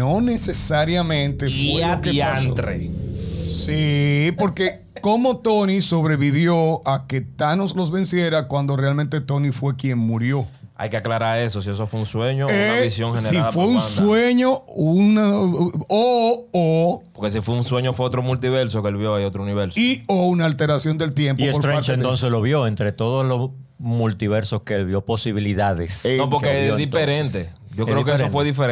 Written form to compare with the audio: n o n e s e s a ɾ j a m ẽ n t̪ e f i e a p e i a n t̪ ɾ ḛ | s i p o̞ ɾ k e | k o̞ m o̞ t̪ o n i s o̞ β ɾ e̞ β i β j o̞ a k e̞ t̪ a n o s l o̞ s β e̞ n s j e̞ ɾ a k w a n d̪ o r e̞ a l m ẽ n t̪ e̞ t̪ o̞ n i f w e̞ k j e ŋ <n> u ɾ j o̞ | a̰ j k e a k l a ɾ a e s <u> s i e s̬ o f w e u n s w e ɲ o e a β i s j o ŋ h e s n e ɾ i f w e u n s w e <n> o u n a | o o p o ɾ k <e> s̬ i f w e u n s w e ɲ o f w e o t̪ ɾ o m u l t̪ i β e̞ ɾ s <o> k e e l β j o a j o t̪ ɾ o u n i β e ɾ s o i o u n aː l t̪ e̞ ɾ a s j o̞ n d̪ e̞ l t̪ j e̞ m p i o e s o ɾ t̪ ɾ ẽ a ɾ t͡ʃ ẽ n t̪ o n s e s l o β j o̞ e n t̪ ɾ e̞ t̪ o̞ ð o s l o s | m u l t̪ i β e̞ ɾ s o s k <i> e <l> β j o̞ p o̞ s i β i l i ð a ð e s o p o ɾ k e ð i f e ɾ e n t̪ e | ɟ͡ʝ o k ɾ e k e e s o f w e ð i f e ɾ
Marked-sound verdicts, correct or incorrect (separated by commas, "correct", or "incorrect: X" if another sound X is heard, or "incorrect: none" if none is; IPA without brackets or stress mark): incorrect: m, incorrect: o, incorrect: ɲ, correct, correct, incorrect: e, correct